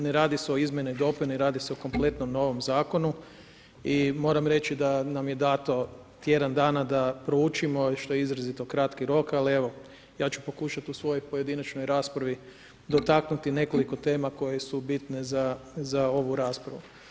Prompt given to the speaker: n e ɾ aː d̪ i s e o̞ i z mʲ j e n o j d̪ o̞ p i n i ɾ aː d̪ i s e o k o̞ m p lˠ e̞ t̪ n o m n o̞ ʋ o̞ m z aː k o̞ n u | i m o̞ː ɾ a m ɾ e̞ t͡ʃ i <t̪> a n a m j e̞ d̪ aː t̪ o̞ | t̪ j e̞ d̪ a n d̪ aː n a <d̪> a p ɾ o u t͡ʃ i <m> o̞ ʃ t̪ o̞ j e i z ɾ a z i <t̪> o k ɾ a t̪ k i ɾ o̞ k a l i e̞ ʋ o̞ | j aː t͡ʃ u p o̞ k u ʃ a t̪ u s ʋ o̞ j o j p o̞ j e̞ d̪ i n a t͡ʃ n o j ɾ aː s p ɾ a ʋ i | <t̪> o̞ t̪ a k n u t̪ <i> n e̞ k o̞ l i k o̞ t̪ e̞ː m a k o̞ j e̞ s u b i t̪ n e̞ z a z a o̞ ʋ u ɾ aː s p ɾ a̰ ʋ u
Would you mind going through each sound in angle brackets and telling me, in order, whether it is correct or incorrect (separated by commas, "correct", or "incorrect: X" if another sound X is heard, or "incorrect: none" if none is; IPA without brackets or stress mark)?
incorrect: d̪, correct, correct, correct, incorrect: d̪, correct